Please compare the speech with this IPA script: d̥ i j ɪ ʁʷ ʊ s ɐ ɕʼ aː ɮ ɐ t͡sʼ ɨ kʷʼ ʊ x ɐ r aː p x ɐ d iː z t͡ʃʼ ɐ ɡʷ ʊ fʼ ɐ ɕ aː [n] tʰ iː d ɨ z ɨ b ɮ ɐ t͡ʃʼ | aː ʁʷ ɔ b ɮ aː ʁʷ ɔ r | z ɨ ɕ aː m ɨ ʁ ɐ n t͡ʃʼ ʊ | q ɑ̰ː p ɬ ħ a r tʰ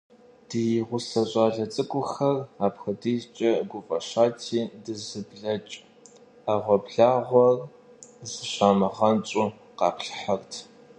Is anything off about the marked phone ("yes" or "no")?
yes